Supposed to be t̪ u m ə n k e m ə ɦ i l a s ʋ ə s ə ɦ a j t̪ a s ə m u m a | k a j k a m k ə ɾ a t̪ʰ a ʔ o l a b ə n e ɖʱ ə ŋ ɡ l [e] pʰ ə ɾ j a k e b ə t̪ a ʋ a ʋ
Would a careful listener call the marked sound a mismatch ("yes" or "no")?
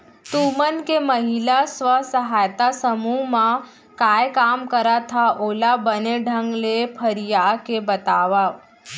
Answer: no